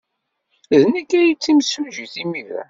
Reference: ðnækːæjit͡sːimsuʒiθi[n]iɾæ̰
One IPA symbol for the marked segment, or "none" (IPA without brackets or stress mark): m